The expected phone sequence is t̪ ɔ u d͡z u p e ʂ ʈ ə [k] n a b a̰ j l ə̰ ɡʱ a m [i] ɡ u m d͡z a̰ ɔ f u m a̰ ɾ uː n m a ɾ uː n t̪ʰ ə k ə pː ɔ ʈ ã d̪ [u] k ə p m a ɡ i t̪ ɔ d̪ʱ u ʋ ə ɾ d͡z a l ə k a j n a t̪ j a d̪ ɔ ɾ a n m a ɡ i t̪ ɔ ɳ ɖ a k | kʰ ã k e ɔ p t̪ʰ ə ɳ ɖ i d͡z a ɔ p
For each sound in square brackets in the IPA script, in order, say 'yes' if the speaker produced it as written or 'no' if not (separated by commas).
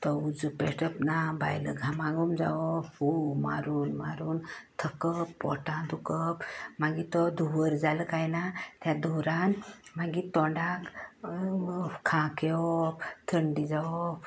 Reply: no, no, yes